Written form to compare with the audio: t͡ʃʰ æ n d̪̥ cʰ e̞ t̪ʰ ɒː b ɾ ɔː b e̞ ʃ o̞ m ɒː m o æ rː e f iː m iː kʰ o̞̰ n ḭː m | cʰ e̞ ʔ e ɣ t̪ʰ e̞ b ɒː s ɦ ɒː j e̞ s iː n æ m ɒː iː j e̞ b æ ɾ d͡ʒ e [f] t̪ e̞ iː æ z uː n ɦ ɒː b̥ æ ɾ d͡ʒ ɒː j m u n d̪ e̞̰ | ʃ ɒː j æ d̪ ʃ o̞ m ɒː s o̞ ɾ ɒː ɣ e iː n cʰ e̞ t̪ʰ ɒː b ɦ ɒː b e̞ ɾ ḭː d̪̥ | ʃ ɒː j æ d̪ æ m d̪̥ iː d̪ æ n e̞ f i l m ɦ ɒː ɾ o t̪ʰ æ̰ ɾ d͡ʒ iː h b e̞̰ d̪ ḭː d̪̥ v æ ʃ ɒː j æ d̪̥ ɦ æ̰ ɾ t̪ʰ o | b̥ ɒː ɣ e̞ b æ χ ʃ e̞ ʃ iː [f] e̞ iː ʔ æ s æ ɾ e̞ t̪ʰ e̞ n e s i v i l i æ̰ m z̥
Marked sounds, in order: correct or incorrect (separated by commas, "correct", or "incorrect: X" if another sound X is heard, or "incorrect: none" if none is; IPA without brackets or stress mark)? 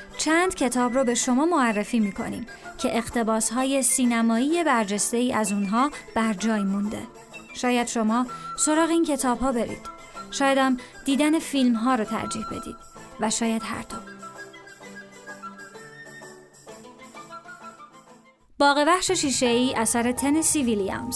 incorrect: s, incorrect: ʃ